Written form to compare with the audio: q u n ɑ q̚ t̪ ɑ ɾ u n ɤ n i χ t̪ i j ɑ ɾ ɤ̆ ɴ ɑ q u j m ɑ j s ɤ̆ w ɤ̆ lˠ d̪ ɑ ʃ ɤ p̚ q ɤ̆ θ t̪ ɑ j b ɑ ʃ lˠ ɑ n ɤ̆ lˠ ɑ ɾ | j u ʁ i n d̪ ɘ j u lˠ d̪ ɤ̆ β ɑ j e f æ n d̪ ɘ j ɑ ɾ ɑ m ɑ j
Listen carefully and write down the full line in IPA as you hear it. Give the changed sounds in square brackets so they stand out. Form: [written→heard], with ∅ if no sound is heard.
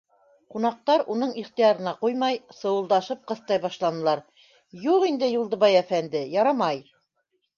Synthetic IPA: q u n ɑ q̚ t̪ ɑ ɾ u n ɤ [n→ɴ] i χ t̪ i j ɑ ɾ ɤ̆ [ɴ→n] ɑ q u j m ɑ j s ɤ̆ w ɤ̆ lˠ d̪ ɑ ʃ ɤ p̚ q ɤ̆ θ t̪ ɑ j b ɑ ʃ lˠ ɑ n ɤ̆ lˠ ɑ ɾ | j u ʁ i n d̪ ɘ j u lˠ d̪ ɤ̆ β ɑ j [e→æ] f æ n d̪ ɘ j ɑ ɾ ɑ m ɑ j